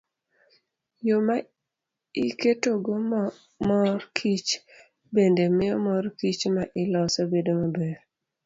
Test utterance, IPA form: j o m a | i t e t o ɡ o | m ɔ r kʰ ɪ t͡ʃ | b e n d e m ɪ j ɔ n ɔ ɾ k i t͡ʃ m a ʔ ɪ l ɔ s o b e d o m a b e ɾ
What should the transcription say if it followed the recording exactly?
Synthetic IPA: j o m a | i k e t o ɡ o | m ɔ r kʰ i t͡ʃ | b e n d e m ɪ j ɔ m ɔ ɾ k i t͡ʃ m a ʔ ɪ l ɔ s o b e d o m a b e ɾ